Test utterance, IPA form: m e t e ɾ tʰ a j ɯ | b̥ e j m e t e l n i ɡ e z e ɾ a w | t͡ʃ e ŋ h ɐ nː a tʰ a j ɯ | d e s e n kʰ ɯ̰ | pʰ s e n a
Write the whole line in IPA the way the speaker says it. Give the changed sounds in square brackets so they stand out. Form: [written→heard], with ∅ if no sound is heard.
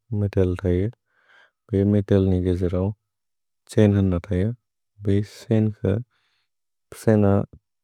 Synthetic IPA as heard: m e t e [ɾ→l] tʰ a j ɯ | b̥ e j m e t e l n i ɡ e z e ɾ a w | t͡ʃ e [ŋ→n] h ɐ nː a tʰ a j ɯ | [d→b] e s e n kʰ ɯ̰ | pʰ s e n a